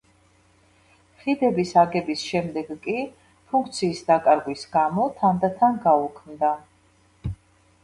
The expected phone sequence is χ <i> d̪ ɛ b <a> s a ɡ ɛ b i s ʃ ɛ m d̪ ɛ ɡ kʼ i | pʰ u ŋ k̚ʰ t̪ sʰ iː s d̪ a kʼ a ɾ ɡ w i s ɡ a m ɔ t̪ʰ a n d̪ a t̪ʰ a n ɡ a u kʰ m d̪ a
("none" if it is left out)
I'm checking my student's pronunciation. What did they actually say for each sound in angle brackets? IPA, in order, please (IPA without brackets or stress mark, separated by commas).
i, i